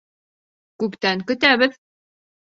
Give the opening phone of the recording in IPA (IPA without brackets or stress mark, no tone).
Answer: k